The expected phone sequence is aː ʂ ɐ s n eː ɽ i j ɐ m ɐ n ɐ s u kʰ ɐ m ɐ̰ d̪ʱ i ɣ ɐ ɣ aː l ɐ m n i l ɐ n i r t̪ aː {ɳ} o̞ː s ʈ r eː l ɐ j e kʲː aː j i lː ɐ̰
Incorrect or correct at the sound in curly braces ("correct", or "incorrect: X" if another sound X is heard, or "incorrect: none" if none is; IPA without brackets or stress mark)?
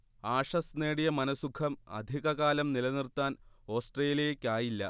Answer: incorrect: n